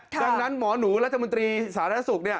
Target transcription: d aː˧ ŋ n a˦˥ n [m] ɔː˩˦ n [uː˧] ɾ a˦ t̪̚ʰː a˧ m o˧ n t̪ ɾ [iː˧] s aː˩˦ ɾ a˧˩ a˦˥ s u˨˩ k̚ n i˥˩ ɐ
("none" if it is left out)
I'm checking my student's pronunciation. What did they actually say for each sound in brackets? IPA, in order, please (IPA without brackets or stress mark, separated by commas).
m, uː˩˦, iː˧